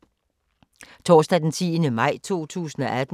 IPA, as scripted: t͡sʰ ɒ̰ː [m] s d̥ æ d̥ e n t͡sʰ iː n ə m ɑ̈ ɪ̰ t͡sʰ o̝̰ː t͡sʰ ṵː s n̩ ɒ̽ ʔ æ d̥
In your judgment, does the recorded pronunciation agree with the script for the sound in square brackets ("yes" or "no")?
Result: no